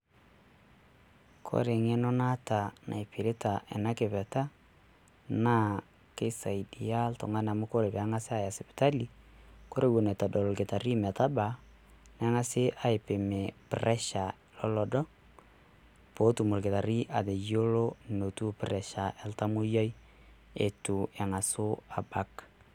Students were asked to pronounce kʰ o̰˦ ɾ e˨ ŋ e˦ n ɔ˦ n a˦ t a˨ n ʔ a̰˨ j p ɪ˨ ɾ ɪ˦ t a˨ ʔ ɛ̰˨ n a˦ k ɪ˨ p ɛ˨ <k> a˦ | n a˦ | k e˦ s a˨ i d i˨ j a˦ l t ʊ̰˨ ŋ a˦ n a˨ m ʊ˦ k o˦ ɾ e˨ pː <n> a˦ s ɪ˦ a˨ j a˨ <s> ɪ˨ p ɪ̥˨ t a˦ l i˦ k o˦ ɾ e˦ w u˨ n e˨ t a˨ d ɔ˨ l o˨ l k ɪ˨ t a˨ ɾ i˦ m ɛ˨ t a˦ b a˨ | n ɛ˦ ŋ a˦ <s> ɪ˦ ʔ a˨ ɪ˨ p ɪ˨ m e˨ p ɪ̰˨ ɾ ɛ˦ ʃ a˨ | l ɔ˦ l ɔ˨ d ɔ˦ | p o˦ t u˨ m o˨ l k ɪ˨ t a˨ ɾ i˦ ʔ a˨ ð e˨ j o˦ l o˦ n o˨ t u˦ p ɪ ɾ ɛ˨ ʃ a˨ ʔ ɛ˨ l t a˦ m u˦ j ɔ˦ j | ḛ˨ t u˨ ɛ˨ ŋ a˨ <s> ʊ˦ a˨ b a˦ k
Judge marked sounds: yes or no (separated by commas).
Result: no, no, yes, yes, yes